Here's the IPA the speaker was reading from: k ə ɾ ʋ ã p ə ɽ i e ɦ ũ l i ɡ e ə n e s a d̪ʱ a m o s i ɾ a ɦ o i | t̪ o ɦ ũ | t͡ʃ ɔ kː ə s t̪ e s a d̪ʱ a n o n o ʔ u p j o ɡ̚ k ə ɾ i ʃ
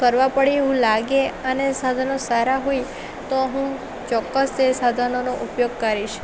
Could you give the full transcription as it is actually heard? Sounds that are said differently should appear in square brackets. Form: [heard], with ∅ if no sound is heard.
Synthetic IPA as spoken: k ə ɾ ʋ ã p ə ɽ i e ɦ ũ l [a] ɡ e ə n e s a d̪ʱ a [n] o s [a] ɾ a ɦ o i | t̪ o ɦ ũ | t͡ʃ ɔ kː ə s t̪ e s a d̪ʱ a n o n o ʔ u p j o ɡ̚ k ə ɾ i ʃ